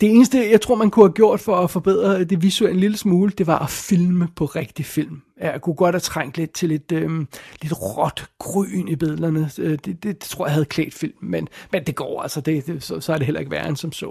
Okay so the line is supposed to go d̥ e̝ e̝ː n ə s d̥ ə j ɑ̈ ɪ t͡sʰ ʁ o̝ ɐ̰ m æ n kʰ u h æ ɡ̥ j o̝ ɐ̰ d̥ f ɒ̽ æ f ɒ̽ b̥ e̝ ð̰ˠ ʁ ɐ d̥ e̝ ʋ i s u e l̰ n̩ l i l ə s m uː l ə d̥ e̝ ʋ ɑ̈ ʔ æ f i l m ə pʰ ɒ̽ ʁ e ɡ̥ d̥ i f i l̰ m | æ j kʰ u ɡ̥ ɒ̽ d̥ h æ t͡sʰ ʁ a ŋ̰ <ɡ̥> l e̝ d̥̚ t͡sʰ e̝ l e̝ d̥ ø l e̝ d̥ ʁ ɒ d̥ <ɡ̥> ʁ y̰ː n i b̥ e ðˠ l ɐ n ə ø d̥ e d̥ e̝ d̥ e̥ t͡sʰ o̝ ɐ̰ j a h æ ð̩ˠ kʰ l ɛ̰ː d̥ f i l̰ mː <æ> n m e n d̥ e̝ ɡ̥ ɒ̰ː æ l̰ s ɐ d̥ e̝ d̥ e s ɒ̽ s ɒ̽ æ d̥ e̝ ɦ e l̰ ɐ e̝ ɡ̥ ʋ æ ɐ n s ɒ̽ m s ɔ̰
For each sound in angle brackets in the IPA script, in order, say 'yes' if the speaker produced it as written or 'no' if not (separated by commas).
no, yes, no